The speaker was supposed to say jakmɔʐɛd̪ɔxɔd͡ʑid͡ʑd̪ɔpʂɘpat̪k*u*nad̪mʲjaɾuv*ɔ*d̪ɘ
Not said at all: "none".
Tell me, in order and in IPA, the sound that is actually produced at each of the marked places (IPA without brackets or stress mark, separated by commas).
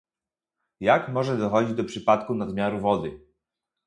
u, ɔ